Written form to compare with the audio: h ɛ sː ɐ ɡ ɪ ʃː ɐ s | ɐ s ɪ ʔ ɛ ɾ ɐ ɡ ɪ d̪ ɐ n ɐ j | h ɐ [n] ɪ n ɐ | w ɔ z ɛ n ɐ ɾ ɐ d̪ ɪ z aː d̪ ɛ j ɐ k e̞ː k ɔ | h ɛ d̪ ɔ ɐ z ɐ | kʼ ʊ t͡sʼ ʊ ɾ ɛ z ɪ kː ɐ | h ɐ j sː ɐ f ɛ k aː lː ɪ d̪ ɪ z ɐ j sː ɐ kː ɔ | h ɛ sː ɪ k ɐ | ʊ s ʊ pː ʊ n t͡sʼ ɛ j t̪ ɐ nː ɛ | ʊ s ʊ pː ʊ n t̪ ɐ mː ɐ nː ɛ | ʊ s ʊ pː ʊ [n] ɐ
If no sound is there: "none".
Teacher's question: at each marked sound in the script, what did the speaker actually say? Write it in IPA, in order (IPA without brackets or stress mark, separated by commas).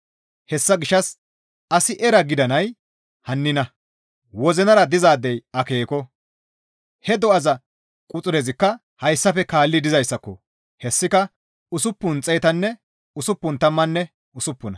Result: nː, n